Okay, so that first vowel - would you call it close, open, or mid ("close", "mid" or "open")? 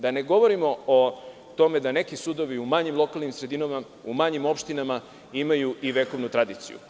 open